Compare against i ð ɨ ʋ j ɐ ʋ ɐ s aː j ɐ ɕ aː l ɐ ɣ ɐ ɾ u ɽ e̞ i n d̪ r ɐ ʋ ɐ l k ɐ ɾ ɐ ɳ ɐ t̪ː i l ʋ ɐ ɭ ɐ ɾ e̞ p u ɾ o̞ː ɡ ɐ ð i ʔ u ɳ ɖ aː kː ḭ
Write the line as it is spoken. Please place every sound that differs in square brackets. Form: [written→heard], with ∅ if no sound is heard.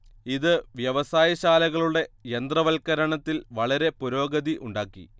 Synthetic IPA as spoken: i ð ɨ ʋ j ɐ ʋ ɐ s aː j ɐ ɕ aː l ɐ ɣ ɐ [ɾ→ɭ] u ɽ e̞ [i→e] n d̪ r ɐ ʋ ɐ l k ɐ ɾ ɐ ɳ ɐ t̪ː i l ʋ ɐ ɭ ɐ ɾ e̞ p u ɾ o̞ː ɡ ɐ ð i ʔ u ɳ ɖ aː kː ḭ

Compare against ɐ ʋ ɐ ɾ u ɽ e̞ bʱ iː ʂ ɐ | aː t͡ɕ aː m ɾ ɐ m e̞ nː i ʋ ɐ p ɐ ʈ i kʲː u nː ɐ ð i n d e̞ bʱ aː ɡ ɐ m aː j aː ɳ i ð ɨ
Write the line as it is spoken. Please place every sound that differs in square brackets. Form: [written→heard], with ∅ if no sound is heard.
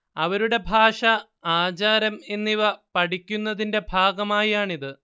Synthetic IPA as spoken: ɐ ʋ ɐ ɾ u ɽ e̞ bʱ [iː→aː] ʂ ɐ | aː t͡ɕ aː [m→∅] ɾ ɐ m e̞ nː i ʋ ɐ p ɐ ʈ i kʲː u nː ɐ ð i n d e̞ bʱ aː ɡ ɐ m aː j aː ɳ i ð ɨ

